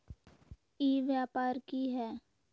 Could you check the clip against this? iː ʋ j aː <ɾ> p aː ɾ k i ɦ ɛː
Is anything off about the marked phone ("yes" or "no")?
yes